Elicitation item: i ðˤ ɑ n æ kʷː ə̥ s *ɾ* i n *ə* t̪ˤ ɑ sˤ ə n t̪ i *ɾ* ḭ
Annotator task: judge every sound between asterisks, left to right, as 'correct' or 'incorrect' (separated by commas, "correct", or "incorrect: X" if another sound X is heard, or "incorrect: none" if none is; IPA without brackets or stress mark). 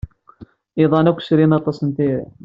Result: correct, incorrect: ɑ, correct